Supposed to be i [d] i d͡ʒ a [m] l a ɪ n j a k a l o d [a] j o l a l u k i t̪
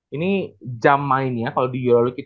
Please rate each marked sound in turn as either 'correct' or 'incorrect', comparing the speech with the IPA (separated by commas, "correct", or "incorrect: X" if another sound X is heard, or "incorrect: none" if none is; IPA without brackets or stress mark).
incorrect: n, correct, incorrect: i